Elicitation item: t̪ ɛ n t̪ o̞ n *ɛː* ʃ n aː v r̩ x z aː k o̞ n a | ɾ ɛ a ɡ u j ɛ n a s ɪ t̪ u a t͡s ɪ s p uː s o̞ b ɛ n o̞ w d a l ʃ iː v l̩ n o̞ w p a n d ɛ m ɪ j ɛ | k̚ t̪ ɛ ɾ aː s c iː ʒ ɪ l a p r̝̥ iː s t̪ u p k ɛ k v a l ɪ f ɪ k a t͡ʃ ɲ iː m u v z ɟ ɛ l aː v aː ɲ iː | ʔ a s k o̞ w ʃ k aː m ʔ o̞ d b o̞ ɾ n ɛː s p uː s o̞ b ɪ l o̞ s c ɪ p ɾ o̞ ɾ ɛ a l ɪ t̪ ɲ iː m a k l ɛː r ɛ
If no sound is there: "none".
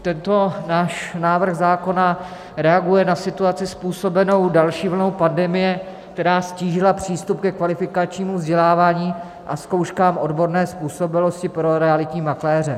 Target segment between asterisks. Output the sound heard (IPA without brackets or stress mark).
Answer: aː